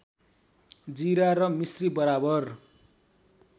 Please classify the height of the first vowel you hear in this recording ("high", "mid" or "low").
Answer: high